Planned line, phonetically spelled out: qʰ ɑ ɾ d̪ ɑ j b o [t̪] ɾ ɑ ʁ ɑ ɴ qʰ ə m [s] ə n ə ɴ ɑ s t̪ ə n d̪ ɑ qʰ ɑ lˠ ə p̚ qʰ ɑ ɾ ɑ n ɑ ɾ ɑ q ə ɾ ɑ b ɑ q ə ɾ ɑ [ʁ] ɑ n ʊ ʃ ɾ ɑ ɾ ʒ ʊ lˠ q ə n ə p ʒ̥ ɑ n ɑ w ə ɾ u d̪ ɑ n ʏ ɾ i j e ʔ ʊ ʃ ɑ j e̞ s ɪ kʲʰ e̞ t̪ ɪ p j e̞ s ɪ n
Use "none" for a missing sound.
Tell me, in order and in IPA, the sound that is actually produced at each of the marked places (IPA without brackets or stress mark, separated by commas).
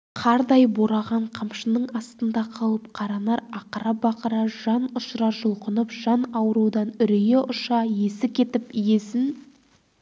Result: none, ʃ, ʒ